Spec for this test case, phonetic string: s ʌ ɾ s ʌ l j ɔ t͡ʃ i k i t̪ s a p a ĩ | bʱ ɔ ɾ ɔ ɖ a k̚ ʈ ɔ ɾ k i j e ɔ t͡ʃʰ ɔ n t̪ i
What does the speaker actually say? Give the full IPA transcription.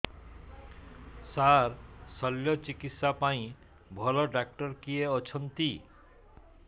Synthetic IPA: s a ɾ s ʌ l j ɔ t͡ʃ i k i t̪ s a p a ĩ | bʱ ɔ l ɔ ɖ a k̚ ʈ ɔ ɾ k i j e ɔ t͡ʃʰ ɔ n t̪ i